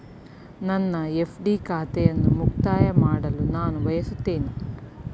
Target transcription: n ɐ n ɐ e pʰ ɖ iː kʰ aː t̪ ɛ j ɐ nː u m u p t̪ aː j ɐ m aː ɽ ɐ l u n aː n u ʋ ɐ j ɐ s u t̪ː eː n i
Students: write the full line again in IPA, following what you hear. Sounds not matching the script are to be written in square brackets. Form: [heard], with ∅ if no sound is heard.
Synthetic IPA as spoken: n ɐ [nː] ɐ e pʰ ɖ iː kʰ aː t̪ ɛ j ɐ nː u m u [k] t̪ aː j ɐ m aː ɽ ɐ l u n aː n u ʋ ɐ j ɐ s u t̪ː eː n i